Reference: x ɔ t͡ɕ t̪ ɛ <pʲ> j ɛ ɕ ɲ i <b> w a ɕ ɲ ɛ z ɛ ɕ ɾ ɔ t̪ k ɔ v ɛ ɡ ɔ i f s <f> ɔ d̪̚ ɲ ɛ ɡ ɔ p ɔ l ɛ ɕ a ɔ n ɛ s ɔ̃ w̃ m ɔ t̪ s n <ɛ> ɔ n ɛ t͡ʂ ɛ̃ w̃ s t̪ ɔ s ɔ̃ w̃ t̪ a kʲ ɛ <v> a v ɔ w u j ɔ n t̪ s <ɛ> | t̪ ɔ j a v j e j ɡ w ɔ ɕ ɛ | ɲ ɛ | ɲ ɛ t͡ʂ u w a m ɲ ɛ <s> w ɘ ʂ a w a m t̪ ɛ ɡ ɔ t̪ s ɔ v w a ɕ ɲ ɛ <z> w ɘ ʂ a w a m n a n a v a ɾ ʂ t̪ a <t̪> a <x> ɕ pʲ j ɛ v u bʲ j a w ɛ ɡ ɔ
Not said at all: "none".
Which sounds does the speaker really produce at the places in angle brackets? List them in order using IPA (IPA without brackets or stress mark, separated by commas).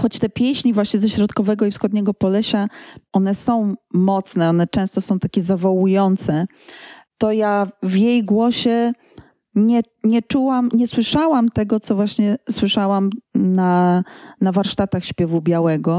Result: pʲ, v, x, ɛ, z, ɛ, s, s, t̪, x